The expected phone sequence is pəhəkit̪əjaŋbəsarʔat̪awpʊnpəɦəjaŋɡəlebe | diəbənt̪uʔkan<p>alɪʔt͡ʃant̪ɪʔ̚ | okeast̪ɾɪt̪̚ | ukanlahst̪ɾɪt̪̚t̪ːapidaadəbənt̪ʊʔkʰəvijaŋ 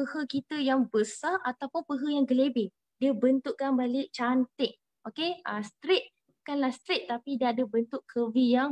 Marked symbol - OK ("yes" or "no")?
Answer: no